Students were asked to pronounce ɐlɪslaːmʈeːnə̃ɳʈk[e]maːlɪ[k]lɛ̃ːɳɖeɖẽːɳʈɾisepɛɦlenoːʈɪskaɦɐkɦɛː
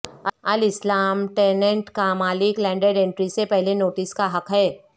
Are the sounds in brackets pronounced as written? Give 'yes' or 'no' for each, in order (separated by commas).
no, yes